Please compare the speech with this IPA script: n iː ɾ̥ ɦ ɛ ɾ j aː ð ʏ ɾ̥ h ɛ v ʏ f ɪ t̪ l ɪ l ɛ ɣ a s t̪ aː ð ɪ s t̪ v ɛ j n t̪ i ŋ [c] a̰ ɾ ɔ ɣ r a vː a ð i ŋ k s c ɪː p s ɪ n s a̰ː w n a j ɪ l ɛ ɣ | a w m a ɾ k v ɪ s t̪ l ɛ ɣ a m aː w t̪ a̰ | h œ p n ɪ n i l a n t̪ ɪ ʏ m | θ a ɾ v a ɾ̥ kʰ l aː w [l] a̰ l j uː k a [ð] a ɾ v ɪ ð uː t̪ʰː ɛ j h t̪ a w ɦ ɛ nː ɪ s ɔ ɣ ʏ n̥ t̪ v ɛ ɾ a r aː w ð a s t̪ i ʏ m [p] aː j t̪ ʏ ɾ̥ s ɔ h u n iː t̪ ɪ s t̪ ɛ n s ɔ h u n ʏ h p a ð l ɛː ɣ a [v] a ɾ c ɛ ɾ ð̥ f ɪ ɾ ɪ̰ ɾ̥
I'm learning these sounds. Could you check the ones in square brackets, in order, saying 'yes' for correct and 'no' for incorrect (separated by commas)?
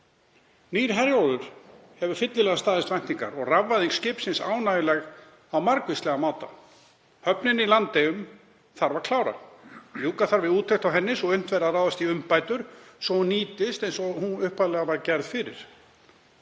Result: no, no, no, yes, yes